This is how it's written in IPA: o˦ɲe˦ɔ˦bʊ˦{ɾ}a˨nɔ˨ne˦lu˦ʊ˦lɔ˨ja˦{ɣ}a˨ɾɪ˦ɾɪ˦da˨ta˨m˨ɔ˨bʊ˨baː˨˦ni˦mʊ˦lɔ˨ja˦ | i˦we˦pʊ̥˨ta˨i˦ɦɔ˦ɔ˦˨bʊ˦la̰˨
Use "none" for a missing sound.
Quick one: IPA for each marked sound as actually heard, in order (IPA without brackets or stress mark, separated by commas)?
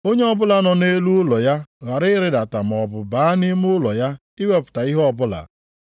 l, ɣ